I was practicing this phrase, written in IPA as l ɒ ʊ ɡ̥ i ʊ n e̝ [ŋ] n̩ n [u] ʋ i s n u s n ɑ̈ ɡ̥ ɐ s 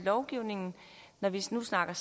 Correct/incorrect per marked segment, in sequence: correct, incorrect: ɒ

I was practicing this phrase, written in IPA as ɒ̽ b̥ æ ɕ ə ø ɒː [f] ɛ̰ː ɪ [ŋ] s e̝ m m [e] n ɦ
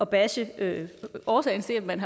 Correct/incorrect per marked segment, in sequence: incorrect: s, incorrect: n, incorrect: æ

